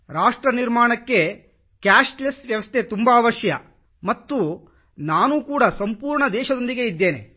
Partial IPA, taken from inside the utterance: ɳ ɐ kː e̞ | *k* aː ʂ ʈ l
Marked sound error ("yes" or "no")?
no